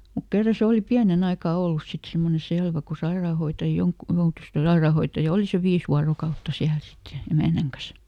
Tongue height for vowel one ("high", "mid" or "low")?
high